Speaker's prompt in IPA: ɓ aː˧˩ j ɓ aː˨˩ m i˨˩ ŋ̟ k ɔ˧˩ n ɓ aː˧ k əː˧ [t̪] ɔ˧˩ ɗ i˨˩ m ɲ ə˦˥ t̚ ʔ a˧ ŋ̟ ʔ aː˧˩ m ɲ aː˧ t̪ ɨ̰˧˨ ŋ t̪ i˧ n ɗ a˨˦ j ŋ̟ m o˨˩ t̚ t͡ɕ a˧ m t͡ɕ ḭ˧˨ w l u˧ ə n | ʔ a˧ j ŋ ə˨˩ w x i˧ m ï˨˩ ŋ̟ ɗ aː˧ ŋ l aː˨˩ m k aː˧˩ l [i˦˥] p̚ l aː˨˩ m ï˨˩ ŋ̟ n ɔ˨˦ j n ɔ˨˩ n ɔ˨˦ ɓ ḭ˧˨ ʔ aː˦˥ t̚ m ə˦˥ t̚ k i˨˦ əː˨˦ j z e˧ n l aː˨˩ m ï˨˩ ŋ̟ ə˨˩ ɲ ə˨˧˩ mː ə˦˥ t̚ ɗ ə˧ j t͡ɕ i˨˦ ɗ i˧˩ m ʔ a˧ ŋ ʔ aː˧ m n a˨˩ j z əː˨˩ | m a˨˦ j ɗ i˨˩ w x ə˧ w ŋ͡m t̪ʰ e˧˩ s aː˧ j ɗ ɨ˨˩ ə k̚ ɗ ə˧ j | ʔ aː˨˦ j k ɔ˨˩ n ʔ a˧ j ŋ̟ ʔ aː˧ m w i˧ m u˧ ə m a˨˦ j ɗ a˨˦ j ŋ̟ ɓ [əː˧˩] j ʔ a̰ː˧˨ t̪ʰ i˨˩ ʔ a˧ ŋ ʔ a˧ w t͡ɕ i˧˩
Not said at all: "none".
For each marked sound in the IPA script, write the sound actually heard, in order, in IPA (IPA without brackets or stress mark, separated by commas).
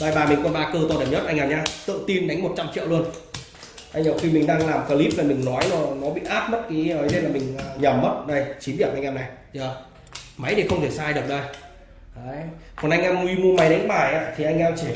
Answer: t̪, i˦˥, aː˧˩